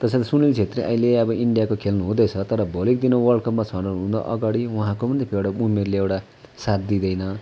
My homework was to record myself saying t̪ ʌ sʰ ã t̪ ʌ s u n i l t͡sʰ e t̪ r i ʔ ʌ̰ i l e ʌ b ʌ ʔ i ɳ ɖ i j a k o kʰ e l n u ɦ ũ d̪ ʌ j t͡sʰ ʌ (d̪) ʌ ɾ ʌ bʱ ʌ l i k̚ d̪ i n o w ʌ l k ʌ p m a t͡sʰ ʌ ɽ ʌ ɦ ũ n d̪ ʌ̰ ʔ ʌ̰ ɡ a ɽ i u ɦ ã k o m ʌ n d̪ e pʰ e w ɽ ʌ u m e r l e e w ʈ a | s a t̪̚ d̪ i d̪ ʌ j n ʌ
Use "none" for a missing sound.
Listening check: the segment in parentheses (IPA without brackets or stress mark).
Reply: t̪